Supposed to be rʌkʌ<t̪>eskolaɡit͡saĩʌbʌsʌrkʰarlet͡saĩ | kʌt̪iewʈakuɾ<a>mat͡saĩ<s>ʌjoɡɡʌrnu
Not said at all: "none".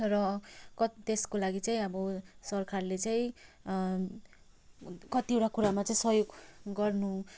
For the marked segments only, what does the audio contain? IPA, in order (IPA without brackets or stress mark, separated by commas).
t̪, a, s